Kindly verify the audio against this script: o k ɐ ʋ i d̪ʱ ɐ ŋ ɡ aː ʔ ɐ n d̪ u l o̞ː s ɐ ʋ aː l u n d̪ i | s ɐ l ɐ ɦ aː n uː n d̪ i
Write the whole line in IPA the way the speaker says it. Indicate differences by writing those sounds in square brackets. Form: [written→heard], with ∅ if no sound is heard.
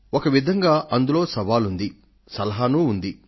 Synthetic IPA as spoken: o k ɐ ʋ i d̪ʱ ɐ ŋ ɡ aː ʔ ɐ n d̪ u l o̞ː s ɐ ʋ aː l u n d̪ i | s ɐ l ɐ ɦ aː n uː n d̪ i